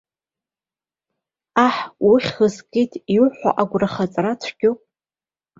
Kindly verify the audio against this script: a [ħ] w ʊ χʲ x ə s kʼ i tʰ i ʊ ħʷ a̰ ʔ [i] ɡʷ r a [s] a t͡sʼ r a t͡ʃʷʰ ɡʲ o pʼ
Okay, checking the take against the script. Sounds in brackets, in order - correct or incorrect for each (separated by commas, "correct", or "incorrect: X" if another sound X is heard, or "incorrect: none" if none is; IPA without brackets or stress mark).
correct, incorrect: a, incorrect: χ